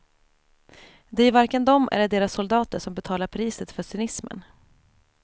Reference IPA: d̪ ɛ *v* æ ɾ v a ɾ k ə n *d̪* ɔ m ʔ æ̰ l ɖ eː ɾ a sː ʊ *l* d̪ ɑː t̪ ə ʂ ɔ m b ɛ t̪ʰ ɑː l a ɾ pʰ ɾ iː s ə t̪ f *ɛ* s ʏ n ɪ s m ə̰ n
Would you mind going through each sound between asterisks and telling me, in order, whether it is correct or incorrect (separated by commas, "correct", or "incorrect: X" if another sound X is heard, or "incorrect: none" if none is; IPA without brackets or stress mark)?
incorrect: none, correct, correct, incorrect: œ